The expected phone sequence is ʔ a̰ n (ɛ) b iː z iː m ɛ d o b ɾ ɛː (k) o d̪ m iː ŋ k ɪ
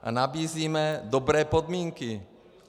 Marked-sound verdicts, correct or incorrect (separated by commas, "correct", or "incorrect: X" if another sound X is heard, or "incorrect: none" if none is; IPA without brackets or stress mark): incorrect: a, incorrect: p